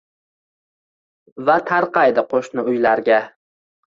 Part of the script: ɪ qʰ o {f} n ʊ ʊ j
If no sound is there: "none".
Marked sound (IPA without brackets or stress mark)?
ʃ